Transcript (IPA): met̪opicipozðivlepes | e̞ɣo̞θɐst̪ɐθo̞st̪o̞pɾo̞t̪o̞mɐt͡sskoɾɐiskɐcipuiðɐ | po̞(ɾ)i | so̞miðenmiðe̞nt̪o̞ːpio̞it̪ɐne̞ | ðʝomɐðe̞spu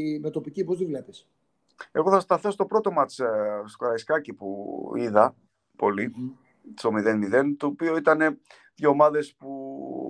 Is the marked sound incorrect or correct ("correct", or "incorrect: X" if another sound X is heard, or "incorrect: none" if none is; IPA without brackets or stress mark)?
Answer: incorrect: l